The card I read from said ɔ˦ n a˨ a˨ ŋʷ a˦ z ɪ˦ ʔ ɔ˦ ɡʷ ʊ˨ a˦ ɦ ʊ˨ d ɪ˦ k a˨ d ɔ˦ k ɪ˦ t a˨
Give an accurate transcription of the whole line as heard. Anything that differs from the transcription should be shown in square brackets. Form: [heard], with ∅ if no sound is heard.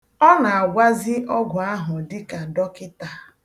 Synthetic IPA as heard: ɔ˦ n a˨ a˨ [ɡʷ] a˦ z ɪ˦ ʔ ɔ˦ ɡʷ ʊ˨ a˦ ɦ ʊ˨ d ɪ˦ k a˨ d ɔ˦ k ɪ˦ t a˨